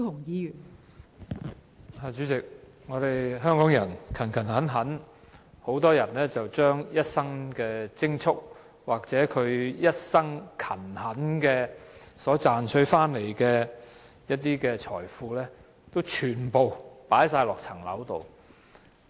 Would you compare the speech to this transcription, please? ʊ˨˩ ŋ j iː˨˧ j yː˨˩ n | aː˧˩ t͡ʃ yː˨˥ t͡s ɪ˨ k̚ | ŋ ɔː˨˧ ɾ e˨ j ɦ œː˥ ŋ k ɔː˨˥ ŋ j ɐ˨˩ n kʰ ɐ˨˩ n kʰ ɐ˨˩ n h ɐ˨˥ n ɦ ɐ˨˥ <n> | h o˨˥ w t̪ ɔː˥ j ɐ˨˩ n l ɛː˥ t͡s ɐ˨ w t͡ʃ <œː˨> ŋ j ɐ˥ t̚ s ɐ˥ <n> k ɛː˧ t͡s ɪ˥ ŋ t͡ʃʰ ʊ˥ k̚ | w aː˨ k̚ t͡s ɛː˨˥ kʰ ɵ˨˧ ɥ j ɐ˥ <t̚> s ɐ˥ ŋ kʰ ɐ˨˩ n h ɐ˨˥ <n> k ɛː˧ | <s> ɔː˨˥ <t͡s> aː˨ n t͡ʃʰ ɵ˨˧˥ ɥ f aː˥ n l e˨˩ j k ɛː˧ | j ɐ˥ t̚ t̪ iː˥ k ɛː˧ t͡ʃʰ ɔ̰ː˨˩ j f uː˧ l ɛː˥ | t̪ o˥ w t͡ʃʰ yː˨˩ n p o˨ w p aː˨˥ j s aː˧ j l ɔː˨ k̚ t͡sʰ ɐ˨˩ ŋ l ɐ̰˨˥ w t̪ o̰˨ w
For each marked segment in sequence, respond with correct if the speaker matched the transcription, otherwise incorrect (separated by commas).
correct, incorrect, incorrect, correct, correct, correct, correct